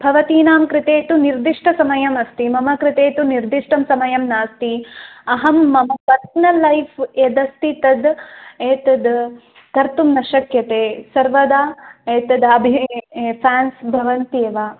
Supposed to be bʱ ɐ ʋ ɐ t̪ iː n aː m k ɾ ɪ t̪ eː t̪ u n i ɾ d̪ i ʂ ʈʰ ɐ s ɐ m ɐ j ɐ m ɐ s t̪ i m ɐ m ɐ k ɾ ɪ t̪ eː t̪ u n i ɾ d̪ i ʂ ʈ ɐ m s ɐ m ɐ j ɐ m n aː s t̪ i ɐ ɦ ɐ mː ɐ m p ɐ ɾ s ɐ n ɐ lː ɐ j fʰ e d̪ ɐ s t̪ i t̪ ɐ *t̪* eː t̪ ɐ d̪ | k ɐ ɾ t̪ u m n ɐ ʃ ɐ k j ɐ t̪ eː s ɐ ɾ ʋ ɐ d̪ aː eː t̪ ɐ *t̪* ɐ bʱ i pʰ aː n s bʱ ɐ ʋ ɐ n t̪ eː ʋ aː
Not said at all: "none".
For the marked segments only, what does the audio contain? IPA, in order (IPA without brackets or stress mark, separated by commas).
d̪, d̪